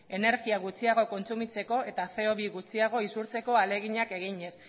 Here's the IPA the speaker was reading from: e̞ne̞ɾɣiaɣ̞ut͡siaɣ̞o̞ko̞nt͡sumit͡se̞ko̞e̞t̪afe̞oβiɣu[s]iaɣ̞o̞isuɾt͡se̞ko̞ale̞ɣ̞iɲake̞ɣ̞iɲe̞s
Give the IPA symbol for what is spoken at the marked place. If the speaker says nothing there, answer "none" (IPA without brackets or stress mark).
t͡s